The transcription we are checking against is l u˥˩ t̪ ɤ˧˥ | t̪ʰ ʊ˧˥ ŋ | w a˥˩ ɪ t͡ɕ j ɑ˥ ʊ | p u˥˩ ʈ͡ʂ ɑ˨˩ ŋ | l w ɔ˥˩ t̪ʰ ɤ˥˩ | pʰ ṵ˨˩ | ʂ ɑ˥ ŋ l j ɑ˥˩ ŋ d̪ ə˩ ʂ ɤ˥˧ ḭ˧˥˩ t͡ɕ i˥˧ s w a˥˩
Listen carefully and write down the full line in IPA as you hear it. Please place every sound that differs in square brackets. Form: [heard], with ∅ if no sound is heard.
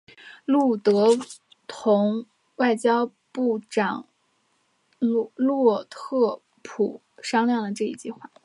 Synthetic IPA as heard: l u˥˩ t̪ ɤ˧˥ | t̪ʰ ʊ˧˥ ŋ | w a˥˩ ɪ t͡ɕ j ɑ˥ ʊ | p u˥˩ ʈ͡ʂ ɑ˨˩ ŋ | l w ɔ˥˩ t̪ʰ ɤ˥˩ | pʰ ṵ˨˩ | ʂ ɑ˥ ŋ l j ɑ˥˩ ŋ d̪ ə˩ [ʈ͡ʂ] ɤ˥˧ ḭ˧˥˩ t͡ɕ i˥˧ [x] w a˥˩